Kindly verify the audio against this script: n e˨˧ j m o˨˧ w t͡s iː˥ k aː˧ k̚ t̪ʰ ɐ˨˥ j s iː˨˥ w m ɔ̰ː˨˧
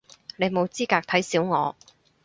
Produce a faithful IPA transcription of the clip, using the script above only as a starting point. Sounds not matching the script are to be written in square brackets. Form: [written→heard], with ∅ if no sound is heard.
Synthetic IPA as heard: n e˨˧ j m o˨˧ w t͡s iː˥ k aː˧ k̚ t̪ʰ ɐ˨˥ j s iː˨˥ w [m→ŋ] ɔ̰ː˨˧

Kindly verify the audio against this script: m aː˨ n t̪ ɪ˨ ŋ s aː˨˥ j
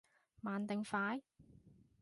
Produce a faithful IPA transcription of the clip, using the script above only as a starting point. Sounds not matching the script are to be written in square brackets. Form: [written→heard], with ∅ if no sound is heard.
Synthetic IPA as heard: m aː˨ n t̪ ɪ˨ ŋ [s→f] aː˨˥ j

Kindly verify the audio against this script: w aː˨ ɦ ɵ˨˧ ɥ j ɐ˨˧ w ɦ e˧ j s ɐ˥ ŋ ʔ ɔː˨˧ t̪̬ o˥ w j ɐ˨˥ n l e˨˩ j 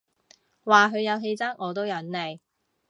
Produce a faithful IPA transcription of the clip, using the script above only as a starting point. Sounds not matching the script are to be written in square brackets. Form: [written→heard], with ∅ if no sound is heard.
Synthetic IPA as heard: w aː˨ ɦ ɵ˨˧ ɥ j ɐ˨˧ w ɦ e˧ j [s→t͡s] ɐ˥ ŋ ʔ ɔː˨˧ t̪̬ o˥ w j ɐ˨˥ n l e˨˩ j

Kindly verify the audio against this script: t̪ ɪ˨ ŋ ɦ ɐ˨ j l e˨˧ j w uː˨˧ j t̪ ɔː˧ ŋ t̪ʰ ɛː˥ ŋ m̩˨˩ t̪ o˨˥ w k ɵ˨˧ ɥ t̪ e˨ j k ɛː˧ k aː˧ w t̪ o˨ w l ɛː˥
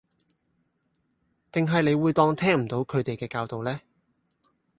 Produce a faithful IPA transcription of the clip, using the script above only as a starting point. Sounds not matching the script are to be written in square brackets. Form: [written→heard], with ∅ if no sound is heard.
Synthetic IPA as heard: t̪ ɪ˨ ŋ ɦ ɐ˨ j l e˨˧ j w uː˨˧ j t̪ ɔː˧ ŋ t̪ʰ ɛː˥ ŋ m̩˨˩ t̪ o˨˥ w [k→kʰ] ɵ˨˧ ɥ t̪ e˨ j k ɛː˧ k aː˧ w t̪ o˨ w l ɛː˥

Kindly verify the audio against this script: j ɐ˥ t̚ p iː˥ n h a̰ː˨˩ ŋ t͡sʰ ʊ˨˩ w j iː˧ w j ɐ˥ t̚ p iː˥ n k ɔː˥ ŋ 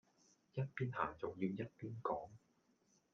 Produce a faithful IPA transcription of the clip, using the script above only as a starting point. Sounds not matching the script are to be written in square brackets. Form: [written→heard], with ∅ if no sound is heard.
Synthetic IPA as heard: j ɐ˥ t̚ p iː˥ n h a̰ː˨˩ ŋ [t͡sʰ→t͡s] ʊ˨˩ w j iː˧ w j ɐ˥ t̚ p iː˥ n k [ɔː˥→ɔː˨˥] ŋ

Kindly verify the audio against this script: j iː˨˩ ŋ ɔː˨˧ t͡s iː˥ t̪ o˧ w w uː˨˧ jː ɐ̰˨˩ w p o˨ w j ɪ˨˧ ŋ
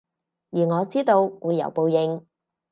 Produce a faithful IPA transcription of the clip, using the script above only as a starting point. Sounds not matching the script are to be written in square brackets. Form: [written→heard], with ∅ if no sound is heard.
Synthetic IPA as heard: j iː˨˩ ŋ ɔː˨˧ t͡s iː˥ t̪ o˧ w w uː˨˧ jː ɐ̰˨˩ w p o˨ w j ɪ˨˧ ŋ

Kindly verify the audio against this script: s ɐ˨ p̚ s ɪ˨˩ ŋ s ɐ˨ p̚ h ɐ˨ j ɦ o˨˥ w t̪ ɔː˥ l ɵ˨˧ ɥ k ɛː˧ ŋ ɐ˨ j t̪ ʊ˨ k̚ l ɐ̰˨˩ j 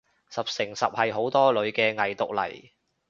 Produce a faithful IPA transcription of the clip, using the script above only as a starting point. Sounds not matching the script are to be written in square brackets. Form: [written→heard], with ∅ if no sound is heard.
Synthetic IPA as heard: s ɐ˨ p̚ s ɪ˨˩ ŋ s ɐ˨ p̚ h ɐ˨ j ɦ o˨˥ w t̪ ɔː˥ l ɵ˨˧ ɥ k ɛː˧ ŋ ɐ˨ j t̪ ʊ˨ k̚ l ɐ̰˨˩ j

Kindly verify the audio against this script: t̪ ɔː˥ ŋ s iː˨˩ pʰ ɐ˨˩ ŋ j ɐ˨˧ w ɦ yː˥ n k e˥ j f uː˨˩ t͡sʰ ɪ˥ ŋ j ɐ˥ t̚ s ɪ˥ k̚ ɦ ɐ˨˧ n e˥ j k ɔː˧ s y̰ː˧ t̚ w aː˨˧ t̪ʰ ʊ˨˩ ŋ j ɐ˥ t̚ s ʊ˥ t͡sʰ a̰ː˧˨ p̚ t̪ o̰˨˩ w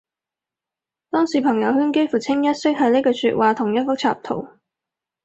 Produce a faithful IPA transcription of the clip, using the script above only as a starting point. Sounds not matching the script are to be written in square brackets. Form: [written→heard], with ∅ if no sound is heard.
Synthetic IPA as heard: t̪ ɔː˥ ŋ s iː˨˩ pʰ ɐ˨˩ ŋ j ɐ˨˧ w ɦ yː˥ n k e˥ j f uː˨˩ t͡sʰ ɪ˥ ŋ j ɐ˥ t̚ s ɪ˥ k̚ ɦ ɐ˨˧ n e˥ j k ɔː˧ s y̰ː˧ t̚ w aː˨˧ t̪ʰ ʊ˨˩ ŋ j ɐ˥ t̚ [s→f] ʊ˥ t͡sʰ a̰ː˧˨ p̚ [t̪→t̪ʰ] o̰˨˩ w

